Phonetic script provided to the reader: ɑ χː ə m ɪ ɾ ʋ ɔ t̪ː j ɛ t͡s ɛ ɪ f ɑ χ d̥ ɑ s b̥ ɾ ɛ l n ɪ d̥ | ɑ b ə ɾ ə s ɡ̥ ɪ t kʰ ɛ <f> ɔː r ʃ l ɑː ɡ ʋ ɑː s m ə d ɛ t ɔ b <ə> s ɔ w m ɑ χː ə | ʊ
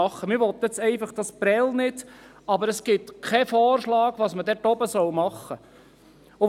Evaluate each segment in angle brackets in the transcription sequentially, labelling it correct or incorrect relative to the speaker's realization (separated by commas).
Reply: correct, correct